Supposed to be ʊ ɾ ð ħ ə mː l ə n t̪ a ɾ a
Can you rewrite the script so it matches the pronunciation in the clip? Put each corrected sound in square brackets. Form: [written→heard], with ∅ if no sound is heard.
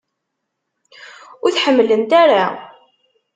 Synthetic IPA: ʊ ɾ [ð→θ] ħ ə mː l ə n t̪ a ɾ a